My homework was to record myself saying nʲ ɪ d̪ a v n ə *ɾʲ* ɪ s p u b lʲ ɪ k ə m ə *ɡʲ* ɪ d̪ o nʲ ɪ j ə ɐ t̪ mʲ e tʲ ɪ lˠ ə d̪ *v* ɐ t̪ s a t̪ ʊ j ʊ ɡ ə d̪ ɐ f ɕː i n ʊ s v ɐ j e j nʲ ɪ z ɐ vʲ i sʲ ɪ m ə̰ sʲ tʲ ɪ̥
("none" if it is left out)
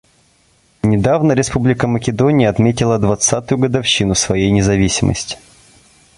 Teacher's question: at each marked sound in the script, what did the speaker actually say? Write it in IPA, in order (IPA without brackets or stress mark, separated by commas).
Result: ɾʲ, kʲ, v